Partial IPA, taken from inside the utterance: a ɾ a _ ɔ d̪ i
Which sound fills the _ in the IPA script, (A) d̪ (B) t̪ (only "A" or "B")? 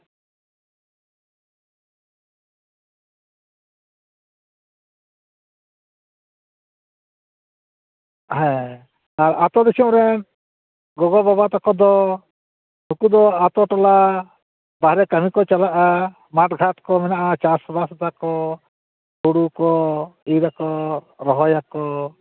B